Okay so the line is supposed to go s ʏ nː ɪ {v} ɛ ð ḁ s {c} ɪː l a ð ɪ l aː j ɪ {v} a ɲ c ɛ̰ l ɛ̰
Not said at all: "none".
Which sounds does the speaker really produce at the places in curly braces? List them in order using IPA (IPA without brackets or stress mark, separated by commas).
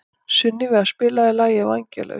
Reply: v, p, v